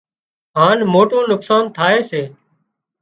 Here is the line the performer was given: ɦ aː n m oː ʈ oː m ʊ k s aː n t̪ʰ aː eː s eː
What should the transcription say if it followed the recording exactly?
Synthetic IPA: ɦ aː n m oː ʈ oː n ʊ k s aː n t̪ʰ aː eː s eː